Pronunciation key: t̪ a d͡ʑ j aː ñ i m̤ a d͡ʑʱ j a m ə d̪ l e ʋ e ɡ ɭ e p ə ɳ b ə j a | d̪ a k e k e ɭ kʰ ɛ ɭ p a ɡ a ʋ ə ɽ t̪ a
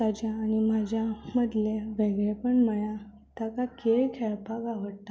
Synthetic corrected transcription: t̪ a d͡ʑ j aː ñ i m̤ a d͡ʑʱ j a m ə d̪ l e ʋ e ɡ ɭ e p ə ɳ m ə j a | t̪ a k a k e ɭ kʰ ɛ ɭ p a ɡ a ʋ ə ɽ t̪ a

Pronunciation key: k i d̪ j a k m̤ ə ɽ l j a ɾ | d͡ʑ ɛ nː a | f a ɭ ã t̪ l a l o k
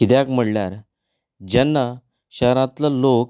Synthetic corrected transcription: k i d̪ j a k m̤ ə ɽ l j a ɾ | d͡ʑ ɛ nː a | ɕ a ɾ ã t̪ l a l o k

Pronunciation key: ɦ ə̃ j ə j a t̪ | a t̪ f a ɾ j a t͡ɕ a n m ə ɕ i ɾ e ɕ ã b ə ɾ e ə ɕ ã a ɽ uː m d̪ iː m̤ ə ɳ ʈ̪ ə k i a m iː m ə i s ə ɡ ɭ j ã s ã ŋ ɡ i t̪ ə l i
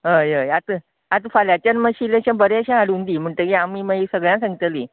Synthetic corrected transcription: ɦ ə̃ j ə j a t̪ | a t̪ f a l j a t͡ɕ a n m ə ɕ i l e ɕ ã b ə ɾ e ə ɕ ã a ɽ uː n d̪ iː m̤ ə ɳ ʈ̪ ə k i a m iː m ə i s ə ɡ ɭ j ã s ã ŋ ɡ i t̪ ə l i

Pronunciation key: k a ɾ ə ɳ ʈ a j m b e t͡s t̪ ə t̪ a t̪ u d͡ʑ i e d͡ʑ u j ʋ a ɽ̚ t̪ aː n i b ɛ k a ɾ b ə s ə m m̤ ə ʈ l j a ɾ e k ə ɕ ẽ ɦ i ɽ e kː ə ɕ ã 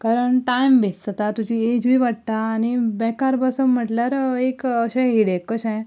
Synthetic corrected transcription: k a ɾ ə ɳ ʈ a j m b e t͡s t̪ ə t̪ a t̪ u d͡ʑ i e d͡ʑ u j ʋ a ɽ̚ t̪ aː n i b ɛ k a ɾ b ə s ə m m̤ ə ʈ l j a ɾ e k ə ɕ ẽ ɦ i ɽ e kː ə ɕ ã

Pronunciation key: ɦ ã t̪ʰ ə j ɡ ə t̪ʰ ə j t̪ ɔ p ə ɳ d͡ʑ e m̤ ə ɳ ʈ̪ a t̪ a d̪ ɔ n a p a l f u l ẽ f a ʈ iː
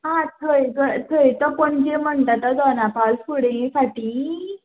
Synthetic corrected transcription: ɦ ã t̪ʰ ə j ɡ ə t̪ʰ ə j t̪ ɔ p ə ɳ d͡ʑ e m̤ ə ɳ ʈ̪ a t̪ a d̪ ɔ n a p a l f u ɽ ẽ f a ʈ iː

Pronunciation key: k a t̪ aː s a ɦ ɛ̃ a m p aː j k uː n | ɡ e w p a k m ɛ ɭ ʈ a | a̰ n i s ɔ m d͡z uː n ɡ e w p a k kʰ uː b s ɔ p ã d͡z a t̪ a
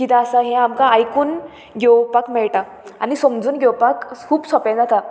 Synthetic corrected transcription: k i t̪ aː s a ɦ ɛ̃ a m k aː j k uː n | ɡ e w p a k m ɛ ɭ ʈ a | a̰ n i s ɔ m d͡z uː n ɡ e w p a k kʰ uː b s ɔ p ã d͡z a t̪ a

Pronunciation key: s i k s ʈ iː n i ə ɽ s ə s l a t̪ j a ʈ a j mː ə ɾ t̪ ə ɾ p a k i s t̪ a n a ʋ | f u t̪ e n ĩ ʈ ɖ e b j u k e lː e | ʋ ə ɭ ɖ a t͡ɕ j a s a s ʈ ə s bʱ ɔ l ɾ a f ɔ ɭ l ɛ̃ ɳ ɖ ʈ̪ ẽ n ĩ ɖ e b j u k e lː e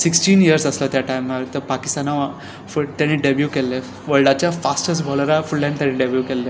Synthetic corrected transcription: s i k s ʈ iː n i ə ɾ s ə s l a t̪ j a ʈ a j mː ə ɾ t̪ ə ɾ p a k i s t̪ a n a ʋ | f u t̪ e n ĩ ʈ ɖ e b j u k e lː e | ʋ ə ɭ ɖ a t͡ɕ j a f a s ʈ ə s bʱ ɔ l ɾ a f u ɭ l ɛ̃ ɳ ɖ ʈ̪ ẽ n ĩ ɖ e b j u k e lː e

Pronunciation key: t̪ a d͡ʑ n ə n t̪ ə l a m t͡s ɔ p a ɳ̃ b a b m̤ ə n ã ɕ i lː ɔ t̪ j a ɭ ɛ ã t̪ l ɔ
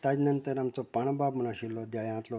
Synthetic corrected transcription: t̪ a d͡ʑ n ə n t̪ ə ɾ a m t͡s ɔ p a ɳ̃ b a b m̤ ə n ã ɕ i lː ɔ d̪ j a ɭ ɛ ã t̪ l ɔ

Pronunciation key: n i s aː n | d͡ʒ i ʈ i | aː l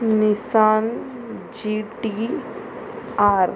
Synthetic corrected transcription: n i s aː n | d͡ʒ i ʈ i | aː ɾ

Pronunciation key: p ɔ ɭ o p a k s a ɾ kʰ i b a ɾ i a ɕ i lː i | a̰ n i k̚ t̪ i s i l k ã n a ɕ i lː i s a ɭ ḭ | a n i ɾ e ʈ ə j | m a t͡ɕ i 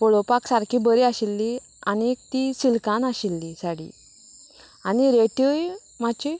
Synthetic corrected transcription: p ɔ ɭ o p a k s a ɾ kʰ i b ə ɾ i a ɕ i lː i | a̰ n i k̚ t̪ i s i l k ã n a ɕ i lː i s a ɽ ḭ | a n i ɾ e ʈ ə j | m a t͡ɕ i

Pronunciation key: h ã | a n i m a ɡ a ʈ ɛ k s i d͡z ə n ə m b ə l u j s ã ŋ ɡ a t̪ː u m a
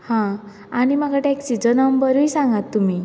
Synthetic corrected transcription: h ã | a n i m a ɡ a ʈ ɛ k s i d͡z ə n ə m b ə ɾ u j s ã ŋ ɡ a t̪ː u m i

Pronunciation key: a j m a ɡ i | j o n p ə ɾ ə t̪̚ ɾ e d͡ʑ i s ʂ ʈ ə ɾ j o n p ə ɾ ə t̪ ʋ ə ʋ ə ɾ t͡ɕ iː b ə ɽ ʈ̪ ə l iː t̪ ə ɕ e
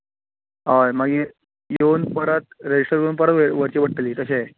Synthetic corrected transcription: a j m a ɡ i | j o n p ə ɾ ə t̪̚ ɾ e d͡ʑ i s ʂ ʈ ə ɾ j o n p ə ɾ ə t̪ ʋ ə ʋ ə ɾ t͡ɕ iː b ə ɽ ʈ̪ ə l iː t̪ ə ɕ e

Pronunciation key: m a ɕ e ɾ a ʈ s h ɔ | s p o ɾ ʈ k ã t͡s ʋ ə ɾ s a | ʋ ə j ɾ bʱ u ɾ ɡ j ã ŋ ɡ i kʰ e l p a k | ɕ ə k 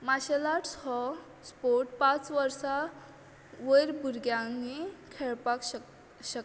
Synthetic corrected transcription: m a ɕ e l a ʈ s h ɔ | s p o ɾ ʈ p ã t͡s ʋ ə ɾ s a | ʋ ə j ɾ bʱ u ɾ ɡ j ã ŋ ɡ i kʰ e ɭ p a k | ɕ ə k

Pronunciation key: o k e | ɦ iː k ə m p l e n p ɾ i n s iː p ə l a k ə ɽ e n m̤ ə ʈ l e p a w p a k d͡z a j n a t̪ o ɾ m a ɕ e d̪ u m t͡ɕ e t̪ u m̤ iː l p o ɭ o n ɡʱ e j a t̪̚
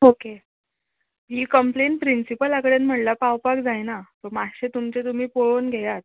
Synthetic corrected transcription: o k e | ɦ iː k ə m p l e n p ɾ i n s i p ə l a k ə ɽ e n m̤ ə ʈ l a p a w p a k d͡z a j n a t̪ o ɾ m a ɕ e t̪ u m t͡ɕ e t̪ u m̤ iː p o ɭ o n ɡʱ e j a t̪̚

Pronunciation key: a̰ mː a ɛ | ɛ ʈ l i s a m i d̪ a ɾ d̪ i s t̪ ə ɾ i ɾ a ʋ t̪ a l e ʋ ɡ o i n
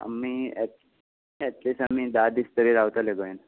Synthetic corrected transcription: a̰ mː i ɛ | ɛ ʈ l i s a m i d̪ a d̪ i s t̪ ə ɾ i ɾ a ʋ t̪ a l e ɡ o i n

